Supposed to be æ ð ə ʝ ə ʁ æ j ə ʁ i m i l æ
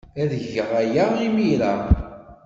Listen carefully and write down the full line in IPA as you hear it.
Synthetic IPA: æ ð ə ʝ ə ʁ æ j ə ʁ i m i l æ